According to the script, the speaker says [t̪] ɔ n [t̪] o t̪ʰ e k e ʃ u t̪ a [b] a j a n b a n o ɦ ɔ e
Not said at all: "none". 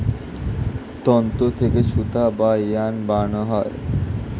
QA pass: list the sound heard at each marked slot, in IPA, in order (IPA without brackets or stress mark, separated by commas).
t̪, t̪, b